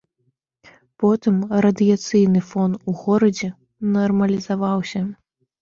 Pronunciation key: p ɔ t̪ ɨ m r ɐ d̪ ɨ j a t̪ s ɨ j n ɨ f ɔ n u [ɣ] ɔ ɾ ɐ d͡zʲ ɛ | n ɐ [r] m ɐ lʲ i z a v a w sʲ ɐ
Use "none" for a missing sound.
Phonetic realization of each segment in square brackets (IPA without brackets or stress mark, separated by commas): ɣ, r